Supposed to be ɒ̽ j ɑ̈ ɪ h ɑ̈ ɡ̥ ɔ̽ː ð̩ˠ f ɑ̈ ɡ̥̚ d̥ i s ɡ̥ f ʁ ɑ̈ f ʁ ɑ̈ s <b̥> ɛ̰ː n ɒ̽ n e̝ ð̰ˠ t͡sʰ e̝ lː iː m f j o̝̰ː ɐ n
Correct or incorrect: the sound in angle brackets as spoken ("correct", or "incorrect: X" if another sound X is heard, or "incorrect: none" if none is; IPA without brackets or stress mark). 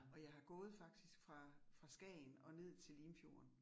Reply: incorrect: ɡ̥